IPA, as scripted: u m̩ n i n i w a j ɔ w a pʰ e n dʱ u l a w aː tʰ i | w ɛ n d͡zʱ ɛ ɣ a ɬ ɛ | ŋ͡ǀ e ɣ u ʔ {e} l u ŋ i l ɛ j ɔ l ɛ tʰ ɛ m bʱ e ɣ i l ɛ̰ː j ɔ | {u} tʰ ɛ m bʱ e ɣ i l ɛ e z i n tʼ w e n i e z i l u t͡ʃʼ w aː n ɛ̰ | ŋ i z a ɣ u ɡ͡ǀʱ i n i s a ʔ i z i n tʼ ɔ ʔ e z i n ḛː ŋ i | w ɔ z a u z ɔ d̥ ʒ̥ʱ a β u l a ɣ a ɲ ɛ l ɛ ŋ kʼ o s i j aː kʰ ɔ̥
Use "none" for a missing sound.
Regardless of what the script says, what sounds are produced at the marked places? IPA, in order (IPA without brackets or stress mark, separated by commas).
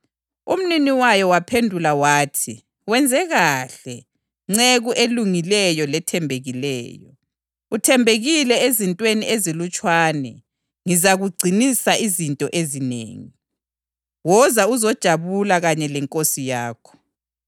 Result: e, u